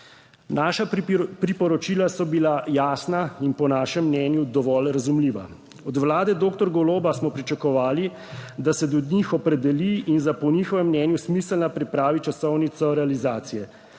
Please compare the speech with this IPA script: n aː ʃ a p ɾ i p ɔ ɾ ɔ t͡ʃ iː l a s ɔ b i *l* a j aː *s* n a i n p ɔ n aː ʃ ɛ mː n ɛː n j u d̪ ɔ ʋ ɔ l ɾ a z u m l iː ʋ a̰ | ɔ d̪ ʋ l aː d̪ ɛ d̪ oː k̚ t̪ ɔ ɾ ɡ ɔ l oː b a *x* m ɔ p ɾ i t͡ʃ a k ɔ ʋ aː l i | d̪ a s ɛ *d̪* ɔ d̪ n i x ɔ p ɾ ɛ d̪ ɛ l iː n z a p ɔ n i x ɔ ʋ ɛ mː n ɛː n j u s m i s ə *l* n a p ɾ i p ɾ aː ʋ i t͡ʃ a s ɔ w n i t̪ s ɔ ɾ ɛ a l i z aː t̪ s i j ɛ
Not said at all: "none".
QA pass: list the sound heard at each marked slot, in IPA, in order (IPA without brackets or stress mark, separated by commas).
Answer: l, s, s, d̪, l